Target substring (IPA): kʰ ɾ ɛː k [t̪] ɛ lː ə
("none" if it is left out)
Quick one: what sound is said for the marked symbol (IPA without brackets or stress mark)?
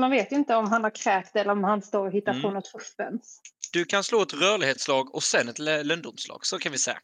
t̪